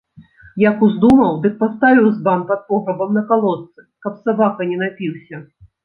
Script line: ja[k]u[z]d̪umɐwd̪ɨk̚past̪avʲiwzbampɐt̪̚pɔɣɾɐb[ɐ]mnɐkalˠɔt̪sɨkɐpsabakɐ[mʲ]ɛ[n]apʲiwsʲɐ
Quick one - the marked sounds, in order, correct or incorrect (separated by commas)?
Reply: correct, correct, correct, incorrect, correct